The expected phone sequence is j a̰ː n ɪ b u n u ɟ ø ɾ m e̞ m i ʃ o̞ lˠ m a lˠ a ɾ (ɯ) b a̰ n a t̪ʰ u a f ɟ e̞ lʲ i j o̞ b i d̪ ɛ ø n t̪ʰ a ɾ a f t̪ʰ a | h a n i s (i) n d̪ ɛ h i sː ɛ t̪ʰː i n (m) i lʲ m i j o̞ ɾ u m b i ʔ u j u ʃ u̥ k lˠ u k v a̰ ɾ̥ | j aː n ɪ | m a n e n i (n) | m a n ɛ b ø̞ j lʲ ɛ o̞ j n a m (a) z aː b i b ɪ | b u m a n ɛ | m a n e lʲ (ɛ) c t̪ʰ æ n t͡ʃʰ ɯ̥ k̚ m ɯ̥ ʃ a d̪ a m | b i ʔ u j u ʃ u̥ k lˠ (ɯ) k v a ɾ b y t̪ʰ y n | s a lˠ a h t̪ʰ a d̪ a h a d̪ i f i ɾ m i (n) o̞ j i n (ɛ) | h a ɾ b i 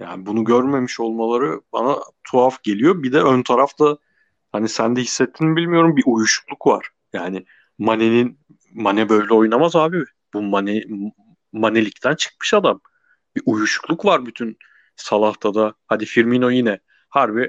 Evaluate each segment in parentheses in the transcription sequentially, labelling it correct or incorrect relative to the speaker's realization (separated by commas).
correct, incorrect, incorrect, correct, correct, incorrect, incorrect, correct, correct